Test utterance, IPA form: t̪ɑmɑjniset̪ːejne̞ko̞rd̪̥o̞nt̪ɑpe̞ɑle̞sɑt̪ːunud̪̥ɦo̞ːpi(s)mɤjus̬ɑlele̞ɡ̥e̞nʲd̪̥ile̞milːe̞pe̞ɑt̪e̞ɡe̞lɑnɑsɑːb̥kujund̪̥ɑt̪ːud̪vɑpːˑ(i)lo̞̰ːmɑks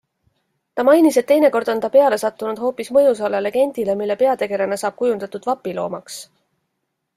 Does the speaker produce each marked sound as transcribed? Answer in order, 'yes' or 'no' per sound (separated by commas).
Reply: yes, yes